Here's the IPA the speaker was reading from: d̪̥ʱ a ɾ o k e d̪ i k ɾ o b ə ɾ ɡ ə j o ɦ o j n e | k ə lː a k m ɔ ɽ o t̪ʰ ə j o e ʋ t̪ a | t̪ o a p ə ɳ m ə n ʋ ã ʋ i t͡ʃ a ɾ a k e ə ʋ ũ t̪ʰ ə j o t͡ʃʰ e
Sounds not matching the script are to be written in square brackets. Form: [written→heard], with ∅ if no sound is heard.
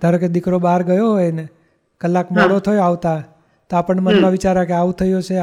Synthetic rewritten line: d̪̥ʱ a ɾ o k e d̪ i k ɾ o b [ə→a] ɾ ɡ ə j o ɦ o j n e | k ə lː a k m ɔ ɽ o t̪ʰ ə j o [e→a] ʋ t̪ a | t̪ o a p ə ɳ m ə n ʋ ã ʋ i t͡ʃ a ɾ a k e [ə→a] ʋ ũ t̪ʰ ə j o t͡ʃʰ e